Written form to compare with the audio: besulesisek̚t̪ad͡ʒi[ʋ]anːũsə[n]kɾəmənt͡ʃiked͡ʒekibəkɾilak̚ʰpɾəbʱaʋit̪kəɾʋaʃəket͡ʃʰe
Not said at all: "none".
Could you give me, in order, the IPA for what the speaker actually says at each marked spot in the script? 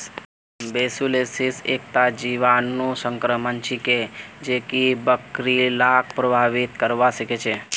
ʋ, ŋ

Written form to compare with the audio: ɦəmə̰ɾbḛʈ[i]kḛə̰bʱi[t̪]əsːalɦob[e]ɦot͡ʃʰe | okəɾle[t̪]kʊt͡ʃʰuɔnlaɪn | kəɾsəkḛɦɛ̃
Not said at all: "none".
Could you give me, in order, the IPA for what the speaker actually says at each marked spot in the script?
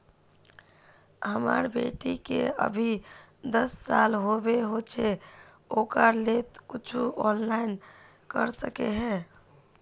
i, d̪, e, t̪

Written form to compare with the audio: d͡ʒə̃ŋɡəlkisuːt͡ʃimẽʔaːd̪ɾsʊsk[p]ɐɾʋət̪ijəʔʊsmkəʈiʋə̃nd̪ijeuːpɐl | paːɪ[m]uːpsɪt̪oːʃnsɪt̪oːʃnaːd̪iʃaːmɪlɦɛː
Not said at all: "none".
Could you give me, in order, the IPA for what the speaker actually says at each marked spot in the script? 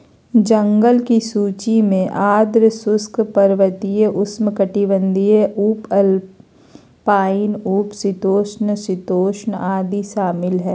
p, n

